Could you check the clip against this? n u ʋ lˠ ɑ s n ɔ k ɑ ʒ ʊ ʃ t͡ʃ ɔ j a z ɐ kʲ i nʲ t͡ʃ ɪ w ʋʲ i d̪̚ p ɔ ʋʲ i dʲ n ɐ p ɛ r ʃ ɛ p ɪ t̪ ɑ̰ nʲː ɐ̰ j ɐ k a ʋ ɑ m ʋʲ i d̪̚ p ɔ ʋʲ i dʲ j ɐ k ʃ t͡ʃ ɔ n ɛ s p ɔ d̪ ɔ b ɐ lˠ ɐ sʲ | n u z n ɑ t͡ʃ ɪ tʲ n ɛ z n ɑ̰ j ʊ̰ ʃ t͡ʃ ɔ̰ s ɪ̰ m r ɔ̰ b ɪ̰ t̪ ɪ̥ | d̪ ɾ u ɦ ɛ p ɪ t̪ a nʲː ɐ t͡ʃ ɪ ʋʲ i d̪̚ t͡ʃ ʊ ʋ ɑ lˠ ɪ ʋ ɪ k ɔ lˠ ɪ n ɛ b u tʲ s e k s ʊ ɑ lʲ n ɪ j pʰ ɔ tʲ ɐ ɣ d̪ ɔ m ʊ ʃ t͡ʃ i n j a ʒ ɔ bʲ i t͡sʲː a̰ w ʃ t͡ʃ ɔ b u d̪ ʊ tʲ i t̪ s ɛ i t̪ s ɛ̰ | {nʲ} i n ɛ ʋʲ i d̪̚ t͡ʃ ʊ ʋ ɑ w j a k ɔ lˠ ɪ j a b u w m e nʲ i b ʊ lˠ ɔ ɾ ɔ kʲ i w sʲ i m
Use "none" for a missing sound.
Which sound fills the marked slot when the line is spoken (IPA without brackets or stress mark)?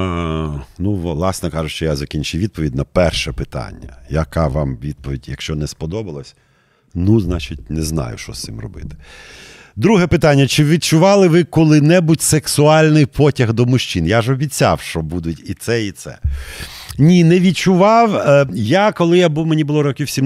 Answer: nʲ